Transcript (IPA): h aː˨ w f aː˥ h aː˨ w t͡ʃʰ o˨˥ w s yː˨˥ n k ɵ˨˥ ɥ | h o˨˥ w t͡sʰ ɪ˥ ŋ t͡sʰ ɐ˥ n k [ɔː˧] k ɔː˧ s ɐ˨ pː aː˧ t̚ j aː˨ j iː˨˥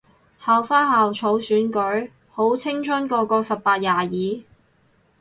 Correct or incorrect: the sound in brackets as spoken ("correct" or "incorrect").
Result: correct